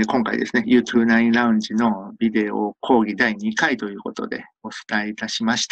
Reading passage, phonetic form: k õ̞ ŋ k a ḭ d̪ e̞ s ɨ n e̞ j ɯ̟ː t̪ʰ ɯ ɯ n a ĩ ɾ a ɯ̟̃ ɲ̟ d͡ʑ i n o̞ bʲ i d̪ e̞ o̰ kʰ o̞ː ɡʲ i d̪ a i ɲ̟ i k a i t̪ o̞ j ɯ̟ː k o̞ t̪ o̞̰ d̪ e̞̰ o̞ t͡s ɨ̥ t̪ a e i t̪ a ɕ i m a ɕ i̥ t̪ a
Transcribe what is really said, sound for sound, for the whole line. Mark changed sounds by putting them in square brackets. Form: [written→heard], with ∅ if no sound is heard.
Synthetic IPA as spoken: k õ̞ ŋ k a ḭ d̪ e̞ s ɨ n e̞ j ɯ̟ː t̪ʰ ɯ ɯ n a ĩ ɾ a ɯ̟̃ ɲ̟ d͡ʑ i n o̞ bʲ i d̪ e̞ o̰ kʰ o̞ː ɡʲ i d̪ a i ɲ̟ i k a i t̪ o̞ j ɯ̟ː k o̞ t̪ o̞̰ d̪ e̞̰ o̞ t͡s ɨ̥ t̪ a e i t̪ a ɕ i m a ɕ i̥ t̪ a